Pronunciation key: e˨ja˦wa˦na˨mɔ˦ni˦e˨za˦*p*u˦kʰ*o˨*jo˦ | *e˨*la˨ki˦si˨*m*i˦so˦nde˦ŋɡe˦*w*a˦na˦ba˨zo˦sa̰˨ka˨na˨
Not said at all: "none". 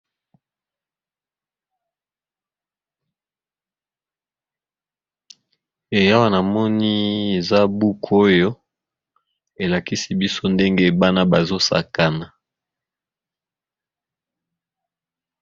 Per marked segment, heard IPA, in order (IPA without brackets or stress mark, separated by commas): b, o˦, e˨, b, b